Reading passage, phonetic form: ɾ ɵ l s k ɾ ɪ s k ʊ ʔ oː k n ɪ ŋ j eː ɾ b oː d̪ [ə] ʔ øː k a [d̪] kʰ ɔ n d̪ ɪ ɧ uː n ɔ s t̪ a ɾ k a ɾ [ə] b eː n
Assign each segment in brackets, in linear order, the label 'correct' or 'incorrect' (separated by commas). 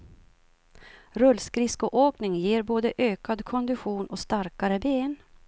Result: correct, correct, correct